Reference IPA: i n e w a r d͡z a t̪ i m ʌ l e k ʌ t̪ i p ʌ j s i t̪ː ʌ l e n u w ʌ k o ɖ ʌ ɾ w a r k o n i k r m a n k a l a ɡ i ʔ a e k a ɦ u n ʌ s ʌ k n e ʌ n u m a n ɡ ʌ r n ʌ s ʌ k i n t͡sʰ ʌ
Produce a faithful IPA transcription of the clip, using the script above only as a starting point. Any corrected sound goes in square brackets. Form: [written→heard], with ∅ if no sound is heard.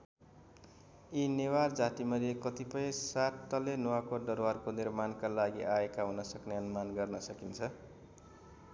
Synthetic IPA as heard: i n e w a r d͡z a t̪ i m ʌ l e k ʌ t̪ i p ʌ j s [i→a] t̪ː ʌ l e n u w [ʌ→a] k o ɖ ʌ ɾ w a r k o n i [k→∅] r m a n k a l a ɡ i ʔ a e k a ɦ u n ʌ s ʌ k n e ʌ n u m a n ɡ ʌ r n ʌ s ʌ k i n t͡sʰ ʌ